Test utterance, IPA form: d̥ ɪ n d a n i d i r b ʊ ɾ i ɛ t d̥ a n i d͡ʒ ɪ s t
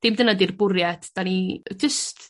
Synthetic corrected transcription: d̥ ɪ m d ə n a d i r b ʊ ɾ j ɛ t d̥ a n i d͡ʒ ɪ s t